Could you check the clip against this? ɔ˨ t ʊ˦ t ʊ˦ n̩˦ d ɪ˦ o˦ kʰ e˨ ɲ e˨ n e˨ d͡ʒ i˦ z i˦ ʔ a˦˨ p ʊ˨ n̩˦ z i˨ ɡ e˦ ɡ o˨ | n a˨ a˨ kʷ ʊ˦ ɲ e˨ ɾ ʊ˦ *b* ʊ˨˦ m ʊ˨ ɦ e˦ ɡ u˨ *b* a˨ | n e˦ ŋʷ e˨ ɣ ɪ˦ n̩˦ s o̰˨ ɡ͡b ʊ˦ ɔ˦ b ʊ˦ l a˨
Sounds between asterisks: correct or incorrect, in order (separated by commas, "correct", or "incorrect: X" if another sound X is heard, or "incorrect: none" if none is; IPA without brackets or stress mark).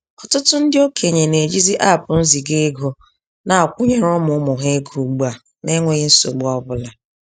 incorrect: m, incorrect: ɡ͡b